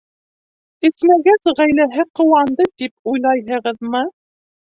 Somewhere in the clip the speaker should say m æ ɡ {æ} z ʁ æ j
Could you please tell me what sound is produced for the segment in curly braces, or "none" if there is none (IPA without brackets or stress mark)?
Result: æ